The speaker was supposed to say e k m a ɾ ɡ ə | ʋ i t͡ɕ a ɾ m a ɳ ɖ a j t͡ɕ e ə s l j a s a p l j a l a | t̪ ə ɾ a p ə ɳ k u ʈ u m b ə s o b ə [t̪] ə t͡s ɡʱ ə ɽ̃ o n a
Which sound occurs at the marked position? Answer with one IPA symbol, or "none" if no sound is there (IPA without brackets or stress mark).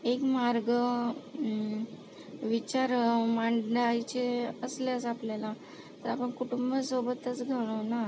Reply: t̪